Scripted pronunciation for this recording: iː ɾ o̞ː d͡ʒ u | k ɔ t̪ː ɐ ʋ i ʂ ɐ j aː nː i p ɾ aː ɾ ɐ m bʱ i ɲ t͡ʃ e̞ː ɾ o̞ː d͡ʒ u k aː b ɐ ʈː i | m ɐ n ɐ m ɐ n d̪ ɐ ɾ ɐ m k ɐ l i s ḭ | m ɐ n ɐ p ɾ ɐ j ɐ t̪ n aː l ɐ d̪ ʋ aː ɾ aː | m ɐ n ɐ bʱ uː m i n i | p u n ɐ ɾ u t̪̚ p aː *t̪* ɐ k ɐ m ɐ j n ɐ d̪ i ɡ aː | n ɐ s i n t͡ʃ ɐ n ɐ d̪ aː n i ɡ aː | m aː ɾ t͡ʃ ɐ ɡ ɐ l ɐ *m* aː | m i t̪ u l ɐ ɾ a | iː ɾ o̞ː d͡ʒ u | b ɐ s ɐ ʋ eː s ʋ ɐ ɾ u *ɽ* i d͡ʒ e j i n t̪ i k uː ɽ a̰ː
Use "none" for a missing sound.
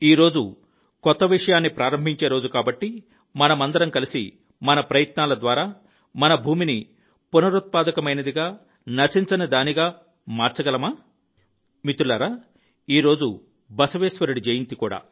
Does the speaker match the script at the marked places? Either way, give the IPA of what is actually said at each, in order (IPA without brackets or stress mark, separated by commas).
d̪, m, ɽ